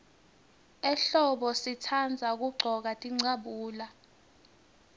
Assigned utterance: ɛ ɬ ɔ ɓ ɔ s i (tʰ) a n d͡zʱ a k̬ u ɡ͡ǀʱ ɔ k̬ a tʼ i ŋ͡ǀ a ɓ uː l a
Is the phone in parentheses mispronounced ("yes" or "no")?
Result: no